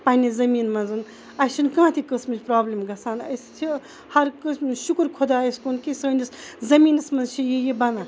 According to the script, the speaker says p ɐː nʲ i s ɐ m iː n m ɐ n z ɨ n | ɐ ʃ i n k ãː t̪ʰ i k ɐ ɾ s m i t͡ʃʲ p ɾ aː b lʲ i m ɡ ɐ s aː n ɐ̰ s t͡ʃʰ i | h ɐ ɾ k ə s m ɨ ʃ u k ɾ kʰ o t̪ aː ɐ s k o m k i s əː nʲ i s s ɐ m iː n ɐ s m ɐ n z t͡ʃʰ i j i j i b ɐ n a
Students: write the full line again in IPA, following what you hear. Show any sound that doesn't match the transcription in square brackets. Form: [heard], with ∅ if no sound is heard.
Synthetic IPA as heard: p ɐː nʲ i [z] ɐ m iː n m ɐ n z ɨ n | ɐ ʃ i n k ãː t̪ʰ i k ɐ [∅] s m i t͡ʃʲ p ɾ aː b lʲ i m ɡ ɐ s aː n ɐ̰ s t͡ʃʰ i | h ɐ ɾ k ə s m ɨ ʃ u k ɾ kʰ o [d̪] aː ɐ s k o [n] k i s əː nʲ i s [z] ɐ m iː n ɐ s m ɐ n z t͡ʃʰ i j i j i b ɐ n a